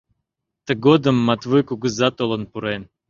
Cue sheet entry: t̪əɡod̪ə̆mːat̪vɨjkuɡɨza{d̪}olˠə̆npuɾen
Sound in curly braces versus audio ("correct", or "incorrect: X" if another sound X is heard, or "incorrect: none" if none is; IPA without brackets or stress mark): incorrect: t̪